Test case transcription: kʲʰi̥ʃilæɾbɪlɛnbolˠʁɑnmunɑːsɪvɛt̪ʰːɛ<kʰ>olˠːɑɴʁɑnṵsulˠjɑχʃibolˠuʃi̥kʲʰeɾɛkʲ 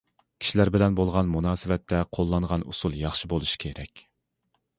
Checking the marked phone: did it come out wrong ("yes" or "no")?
yes